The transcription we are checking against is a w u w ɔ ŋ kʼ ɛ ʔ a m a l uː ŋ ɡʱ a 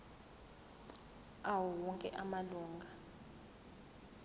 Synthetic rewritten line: a w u w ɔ ŋ kʼ ɛ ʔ a m a l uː ŋ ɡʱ a